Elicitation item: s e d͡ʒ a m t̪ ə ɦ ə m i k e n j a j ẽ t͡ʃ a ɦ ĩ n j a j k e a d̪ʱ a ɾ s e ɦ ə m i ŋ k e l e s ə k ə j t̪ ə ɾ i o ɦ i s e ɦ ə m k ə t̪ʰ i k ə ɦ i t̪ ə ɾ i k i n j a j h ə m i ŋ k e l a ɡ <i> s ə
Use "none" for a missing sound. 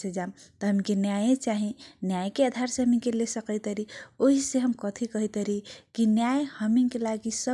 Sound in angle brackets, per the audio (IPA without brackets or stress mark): i